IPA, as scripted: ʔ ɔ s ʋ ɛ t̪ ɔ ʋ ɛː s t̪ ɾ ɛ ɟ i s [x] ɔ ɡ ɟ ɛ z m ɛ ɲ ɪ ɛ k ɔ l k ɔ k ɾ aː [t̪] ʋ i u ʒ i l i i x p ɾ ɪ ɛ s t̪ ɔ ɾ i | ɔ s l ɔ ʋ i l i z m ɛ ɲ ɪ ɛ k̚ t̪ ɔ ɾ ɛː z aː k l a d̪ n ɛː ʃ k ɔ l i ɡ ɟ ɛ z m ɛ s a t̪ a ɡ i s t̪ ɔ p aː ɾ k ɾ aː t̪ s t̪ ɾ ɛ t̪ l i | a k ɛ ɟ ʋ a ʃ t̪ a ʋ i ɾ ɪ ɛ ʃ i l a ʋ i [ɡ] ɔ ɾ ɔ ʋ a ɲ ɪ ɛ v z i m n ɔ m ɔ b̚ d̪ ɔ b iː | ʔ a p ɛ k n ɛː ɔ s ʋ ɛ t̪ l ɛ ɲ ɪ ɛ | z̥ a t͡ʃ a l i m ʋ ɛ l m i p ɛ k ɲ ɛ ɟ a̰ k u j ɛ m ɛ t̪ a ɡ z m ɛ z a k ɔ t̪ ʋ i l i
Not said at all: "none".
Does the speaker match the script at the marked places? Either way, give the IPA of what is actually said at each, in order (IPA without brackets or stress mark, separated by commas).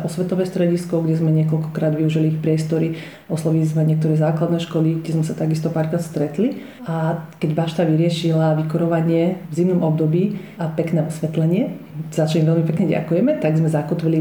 k, d̪, k